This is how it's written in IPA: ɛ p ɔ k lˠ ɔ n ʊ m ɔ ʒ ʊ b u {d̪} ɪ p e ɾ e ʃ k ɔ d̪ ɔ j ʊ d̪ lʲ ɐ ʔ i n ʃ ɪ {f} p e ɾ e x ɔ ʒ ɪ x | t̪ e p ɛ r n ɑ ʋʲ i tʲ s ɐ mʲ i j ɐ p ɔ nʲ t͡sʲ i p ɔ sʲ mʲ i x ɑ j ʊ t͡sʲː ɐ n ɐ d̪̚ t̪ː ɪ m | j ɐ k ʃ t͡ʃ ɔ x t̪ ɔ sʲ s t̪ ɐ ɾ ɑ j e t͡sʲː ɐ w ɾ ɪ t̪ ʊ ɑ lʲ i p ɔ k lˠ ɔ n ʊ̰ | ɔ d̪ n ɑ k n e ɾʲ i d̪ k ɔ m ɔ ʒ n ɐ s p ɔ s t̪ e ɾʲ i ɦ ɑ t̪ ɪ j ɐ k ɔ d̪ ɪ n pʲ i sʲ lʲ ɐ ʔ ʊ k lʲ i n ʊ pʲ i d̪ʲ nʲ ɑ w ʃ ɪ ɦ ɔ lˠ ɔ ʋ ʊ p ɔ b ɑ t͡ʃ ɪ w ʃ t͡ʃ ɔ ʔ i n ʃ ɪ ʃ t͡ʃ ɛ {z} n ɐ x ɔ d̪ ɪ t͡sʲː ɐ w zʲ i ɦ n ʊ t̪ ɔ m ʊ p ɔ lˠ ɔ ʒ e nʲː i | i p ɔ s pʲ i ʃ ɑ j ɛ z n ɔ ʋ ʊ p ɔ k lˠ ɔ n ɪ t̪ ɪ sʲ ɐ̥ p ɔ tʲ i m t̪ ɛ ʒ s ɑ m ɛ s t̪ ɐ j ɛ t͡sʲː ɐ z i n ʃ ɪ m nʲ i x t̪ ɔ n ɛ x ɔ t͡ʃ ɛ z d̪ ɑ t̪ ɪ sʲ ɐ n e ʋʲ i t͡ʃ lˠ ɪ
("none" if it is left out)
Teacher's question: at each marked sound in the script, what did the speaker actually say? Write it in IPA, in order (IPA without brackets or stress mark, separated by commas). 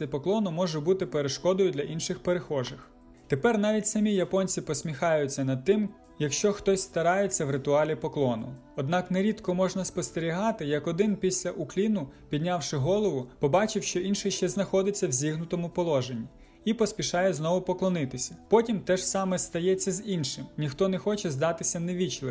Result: t̪, x, z